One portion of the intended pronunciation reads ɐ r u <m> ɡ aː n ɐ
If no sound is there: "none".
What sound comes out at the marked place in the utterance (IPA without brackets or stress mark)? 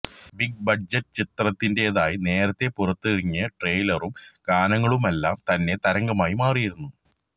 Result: m